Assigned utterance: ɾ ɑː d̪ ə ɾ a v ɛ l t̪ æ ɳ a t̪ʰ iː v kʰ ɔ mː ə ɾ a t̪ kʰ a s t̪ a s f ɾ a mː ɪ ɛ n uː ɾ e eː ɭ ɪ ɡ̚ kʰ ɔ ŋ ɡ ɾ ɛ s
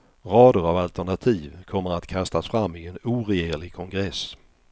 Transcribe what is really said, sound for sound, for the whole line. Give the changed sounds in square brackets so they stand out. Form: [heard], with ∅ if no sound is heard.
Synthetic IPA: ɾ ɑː d̪ ə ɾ a v [a] l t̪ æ ɳ a t̪ʰ iː v kʰ ɔ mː ə ɾ a t̪ kʰ a s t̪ a s f ɾ a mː ɪ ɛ n uː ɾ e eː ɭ ɪ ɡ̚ kʰ ɔ ŋ ɡ ɾ ɛ s